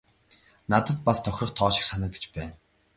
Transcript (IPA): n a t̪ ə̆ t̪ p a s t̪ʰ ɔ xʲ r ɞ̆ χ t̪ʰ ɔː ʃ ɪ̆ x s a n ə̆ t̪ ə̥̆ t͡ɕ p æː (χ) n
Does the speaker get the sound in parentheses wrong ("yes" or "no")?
yes